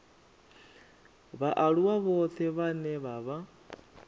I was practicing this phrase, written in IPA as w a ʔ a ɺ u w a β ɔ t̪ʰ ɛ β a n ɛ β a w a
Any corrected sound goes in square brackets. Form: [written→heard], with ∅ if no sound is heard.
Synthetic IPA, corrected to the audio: [w→β] a ʔ a ɺ u w a β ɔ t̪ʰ ɛ β a n ɛ β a [w→β] a